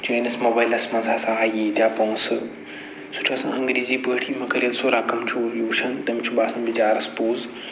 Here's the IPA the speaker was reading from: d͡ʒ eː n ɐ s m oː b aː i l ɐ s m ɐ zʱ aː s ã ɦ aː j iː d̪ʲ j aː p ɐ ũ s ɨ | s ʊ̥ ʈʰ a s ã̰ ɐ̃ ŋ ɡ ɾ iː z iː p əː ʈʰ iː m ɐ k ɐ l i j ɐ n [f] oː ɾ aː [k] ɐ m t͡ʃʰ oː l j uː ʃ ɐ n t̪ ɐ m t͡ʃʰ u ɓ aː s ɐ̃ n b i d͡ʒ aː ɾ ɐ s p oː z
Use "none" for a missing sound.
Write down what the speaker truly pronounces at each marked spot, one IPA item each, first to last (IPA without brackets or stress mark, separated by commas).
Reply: s, k